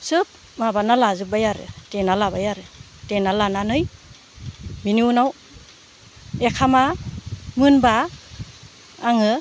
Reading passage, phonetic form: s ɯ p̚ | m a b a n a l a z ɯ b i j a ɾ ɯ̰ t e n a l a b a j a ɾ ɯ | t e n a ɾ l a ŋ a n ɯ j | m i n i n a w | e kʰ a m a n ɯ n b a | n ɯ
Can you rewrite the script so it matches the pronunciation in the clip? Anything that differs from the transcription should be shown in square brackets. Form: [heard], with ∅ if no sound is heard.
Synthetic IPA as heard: s ɯ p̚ | m a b a n a l a z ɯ b [a] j a ɾ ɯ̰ t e n a l a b a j a ɾ ɯ | t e n a [∅] l a [n] a n ɯ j | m i n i n a w | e kʰ a m a [m] ɯ n b a | [ŋ] ɯ